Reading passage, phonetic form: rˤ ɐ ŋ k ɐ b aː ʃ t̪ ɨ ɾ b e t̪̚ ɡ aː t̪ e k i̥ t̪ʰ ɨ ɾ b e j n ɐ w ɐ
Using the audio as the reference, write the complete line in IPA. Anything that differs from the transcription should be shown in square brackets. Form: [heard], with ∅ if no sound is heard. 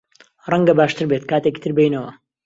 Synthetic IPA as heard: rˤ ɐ ŋ [ɡ] ɐ b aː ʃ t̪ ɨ ɾ b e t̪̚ [k] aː t̪ e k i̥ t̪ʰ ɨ ɾ b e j n ɐ w ɐ